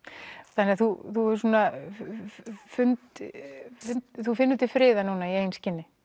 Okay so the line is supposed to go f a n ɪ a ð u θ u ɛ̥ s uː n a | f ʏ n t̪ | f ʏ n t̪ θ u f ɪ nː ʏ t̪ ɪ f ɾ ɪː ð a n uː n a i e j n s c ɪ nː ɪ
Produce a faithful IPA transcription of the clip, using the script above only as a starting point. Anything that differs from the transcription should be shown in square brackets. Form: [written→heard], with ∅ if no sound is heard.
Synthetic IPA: [f→θ] a n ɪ a [ð→θ] u θ u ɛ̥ s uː n a | f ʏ n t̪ | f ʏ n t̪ θ u f ɪ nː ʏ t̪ ɪ f ɾ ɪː ð a n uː n a i e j n s c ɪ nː ɪ